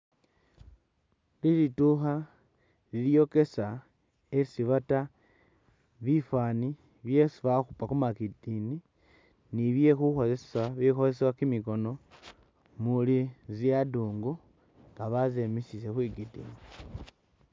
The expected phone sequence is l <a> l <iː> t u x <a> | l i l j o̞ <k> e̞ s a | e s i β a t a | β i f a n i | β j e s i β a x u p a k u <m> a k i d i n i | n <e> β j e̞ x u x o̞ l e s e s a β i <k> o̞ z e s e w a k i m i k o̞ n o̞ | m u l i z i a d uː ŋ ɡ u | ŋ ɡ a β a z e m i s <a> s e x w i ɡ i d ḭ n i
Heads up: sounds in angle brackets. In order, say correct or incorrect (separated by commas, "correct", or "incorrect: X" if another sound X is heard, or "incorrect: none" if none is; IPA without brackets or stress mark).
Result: incorrect: i, incorrect: i, correct, correct, correct, incorrect: i, incorrect: x, incorrect: i